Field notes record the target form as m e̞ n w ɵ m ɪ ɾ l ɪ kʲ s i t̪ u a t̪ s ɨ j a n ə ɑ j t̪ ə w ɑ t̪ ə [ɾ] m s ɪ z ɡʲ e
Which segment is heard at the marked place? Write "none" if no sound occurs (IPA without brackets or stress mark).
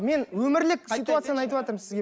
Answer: ɾ